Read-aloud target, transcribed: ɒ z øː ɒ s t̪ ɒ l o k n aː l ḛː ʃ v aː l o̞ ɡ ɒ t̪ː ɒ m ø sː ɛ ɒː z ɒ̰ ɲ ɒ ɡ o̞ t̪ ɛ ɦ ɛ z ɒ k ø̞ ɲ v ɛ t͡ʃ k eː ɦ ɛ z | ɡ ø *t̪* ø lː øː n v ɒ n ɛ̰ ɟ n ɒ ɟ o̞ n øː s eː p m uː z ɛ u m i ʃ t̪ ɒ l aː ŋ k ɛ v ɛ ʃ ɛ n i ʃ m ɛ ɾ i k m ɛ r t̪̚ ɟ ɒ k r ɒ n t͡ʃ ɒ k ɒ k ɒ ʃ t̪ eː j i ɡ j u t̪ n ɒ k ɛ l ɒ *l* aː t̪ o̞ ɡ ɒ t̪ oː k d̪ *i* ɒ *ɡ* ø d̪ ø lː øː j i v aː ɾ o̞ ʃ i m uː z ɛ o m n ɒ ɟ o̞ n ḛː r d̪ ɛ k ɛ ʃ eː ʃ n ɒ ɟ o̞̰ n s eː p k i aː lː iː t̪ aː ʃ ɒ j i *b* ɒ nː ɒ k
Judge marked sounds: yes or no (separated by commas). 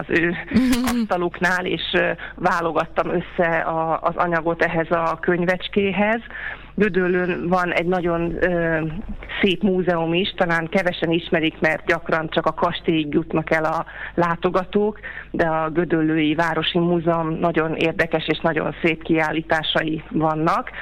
no, yes, no, yes, no